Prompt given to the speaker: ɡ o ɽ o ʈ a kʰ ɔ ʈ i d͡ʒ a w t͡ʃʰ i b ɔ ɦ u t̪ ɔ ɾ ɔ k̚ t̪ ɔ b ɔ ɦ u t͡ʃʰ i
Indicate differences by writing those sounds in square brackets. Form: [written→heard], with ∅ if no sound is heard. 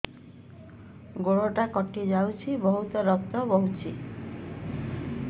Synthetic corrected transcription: ɡ o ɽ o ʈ a [kʰ→k] ɔ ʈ i d͡ʒ a w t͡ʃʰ i b ɔ ɦ u t̪ ɔ ɾ ɔ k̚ t̪ ɔ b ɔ ɦ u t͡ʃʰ i